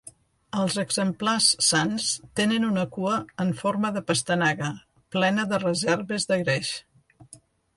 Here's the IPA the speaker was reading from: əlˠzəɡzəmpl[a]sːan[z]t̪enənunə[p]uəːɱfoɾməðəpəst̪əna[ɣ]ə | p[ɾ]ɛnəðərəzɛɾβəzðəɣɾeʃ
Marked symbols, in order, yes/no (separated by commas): yes, no, no, yes, no